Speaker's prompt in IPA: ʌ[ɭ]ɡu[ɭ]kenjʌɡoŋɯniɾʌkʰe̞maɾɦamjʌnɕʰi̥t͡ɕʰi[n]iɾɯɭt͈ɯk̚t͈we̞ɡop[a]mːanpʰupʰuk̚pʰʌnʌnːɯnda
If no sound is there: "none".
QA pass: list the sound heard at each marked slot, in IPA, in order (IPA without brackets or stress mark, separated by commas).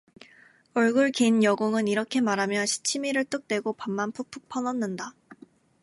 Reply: ɭ, ɭ, m, a